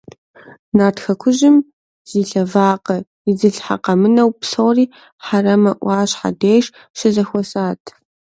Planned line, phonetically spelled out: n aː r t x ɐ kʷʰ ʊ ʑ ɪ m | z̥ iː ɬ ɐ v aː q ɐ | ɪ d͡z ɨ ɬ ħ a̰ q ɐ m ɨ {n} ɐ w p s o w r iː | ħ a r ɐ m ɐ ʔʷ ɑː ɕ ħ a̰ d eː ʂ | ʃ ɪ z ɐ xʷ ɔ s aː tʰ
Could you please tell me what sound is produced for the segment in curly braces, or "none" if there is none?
n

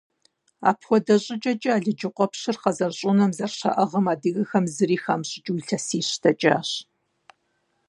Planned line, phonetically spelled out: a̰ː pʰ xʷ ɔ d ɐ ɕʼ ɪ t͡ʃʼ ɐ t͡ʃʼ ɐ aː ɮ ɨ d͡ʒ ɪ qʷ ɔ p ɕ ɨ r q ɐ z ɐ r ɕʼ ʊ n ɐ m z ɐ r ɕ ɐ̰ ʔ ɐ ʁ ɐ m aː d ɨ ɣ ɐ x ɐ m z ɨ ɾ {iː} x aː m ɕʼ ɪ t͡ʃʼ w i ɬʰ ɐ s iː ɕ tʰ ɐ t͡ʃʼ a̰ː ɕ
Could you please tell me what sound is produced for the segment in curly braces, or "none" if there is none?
iː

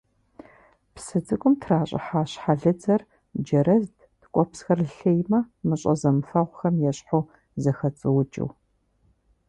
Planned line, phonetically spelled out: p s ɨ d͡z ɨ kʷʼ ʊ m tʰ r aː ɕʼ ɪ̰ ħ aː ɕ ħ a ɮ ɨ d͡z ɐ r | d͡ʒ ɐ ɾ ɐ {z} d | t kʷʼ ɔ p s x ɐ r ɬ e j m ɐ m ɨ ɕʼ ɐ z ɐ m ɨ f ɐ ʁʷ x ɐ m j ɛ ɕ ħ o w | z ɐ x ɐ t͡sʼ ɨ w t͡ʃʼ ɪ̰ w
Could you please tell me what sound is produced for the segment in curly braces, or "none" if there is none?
z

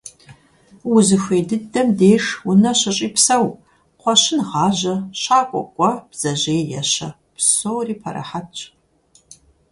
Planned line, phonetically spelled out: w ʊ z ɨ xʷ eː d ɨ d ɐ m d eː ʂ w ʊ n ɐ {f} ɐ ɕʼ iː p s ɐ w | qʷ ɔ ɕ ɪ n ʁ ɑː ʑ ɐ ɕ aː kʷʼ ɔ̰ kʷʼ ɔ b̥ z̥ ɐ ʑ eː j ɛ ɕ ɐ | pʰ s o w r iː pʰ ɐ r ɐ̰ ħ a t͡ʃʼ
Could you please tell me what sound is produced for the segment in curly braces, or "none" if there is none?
ɕ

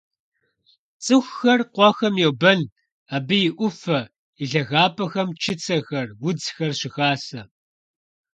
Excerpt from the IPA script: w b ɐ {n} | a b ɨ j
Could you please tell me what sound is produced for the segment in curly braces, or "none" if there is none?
n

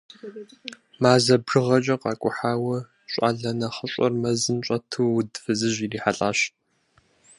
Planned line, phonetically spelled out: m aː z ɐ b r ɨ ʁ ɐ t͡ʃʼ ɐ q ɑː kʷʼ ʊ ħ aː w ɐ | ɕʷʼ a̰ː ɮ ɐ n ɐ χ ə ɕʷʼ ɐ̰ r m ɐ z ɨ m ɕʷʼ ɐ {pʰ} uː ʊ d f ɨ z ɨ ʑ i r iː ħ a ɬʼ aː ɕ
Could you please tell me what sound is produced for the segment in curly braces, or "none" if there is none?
tʰ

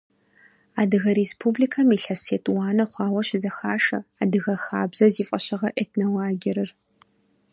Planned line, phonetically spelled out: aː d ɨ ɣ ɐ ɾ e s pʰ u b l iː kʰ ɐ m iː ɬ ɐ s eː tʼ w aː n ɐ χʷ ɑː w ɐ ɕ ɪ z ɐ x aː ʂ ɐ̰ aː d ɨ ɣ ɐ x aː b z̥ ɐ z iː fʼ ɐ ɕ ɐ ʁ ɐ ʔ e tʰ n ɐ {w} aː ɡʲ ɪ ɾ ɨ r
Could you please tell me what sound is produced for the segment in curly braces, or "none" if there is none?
w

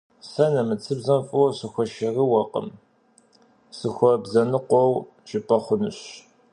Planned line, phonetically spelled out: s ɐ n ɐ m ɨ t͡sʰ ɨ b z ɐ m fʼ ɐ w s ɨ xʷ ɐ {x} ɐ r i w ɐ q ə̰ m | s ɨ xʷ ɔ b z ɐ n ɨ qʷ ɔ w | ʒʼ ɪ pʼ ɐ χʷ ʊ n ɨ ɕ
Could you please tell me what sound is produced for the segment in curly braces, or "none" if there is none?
ʃ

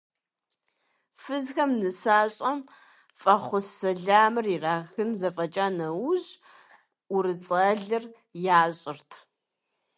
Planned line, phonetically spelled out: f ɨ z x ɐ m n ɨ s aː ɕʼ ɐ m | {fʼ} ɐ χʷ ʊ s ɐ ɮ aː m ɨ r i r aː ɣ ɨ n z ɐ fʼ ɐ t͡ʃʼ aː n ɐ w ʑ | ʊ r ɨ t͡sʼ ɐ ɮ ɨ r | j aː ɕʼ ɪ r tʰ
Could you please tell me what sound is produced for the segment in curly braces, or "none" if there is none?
fʼ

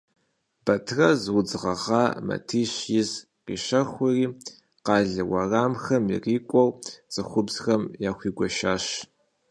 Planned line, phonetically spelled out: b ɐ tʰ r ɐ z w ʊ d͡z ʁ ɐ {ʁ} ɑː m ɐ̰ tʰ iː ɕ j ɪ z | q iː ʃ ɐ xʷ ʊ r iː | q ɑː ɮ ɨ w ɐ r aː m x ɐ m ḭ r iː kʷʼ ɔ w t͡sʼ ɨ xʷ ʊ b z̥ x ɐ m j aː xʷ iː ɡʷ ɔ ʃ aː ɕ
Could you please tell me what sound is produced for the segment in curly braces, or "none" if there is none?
ʁ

